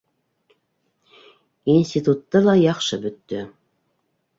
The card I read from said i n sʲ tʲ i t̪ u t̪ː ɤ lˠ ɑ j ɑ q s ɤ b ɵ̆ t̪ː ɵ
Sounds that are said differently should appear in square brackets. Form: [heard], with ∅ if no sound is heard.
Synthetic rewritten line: i n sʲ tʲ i t̪ u t̪ː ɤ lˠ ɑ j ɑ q [ʃ] ɤ b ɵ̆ t̪ː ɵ